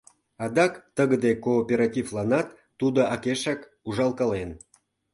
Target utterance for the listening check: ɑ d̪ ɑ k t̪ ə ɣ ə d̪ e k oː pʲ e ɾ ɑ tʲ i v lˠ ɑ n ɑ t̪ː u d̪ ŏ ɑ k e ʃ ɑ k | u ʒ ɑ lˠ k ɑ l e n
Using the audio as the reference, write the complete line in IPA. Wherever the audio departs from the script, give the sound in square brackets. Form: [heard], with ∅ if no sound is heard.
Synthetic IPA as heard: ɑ d̪ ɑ k t̪ ə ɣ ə d̪ e k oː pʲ e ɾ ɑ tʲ i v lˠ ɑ n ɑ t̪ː u d̪ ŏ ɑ k e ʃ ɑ k | u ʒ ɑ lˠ k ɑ l e n